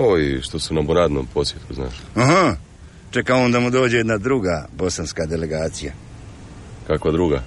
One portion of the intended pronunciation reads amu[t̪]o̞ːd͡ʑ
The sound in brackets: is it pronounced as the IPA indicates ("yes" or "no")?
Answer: no